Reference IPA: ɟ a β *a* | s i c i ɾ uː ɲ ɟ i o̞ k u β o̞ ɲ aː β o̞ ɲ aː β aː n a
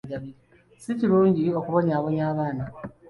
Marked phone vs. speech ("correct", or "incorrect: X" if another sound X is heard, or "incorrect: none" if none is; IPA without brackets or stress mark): incorrect: i